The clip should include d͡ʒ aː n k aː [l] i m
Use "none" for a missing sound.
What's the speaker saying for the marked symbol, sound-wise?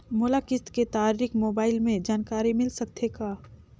ɾ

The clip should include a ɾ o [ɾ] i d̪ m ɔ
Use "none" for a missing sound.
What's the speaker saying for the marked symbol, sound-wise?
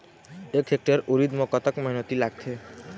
ɾ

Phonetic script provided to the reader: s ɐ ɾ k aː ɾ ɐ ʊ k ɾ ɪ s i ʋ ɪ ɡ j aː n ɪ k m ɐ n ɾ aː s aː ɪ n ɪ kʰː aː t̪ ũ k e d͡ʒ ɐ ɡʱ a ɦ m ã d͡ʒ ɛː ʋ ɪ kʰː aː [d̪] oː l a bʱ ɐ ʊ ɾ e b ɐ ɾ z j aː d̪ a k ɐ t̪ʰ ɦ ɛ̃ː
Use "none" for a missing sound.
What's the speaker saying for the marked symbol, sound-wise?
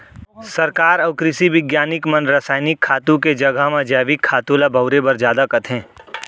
t̪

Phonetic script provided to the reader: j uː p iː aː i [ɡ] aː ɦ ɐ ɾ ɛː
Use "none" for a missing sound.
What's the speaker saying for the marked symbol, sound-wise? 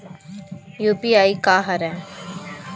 k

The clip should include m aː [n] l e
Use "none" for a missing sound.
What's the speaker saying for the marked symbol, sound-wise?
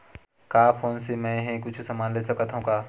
n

